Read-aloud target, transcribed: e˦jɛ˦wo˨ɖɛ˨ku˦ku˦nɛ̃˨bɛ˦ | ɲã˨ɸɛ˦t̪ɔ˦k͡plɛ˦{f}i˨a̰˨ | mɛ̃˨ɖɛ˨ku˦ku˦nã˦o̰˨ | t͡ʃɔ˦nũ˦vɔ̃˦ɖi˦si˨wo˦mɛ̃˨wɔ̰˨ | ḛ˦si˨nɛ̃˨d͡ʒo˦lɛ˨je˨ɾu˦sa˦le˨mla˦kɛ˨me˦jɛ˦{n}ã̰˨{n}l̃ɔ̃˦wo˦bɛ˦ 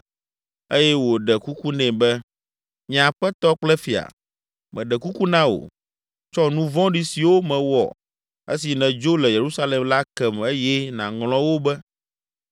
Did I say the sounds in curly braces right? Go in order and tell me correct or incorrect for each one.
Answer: correct, correct, incorrect: ŋ

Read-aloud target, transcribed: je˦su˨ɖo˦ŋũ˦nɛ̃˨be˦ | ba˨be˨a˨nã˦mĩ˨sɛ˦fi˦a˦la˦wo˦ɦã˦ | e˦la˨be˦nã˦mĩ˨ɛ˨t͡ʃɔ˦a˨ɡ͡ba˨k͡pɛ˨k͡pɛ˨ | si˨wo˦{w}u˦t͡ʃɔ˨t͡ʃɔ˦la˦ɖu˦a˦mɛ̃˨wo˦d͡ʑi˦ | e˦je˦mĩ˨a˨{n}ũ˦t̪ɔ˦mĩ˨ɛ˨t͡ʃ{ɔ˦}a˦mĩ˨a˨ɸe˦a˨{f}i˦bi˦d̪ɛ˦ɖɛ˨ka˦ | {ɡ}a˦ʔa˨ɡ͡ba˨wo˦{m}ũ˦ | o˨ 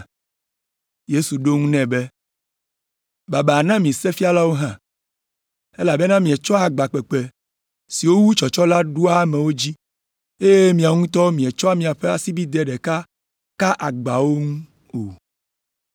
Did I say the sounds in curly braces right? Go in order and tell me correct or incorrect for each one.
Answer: correct, incorrect: ŋ, correct, incorrect: s, incorrect: k, incorrect: ŋ

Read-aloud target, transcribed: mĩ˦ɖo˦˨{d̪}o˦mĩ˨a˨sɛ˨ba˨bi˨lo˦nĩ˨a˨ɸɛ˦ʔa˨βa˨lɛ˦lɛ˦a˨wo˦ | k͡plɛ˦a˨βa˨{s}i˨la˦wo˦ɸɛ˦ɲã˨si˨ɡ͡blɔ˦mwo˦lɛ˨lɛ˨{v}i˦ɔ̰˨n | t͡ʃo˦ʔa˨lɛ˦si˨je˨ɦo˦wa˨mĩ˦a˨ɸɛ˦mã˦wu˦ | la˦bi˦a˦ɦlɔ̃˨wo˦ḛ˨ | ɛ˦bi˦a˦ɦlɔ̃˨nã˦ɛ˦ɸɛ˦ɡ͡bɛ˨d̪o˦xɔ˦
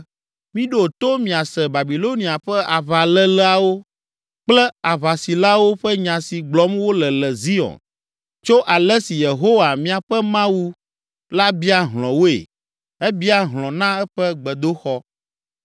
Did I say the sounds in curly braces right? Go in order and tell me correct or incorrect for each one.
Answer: incorrect: t̪, correct, incorrect: z

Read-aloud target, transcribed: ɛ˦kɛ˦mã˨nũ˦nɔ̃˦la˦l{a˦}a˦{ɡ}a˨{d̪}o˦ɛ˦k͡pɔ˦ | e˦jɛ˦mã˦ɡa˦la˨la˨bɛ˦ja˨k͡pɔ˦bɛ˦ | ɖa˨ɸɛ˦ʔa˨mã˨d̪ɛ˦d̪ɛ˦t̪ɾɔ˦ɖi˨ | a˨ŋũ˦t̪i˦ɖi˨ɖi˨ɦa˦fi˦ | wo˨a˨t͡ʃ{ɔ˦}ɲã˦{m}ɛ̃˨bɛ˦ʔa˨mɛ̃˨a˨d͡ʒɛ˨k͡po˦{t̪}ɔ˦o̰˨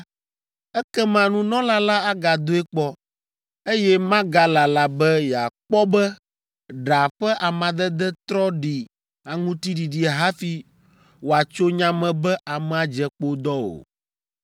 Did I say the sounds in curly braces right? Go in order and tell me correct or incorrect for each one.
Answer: correct, correct, correct, incorrect: o˦, correct, incorrect: d̪

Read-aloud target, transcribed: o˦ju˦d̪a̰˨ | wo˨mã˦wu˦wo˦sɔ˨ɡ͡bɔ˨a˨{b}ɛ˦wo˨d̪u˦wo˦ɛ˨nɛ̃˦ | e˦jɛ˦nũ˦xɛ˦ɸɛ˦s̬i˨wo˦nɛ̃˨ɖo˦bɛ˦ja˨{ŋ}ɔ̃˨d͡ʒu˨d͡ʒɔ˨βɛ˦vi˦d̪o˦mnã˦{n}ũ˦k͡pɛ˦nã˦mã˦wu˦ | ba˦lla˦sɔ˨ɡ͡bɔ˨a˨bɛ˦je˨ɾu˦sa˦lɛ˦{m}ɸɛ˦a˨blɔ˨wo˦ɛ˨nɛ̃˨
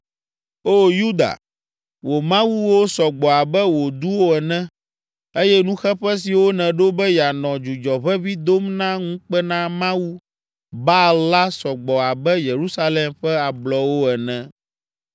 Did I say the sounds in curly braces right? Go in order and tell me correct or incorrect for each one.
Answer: correct, incorrect: n, incorrect: ŋ, correct

